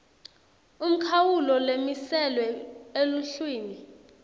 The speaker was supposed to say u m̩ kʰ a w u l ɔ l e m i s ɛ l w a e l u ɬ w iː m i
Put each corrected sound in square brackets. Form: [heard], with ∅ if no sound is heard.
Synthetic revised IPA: u m̩ kʰ a w u l ɔ l e m i s ɛ l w [ɛ] e l u ɬ w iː [n] i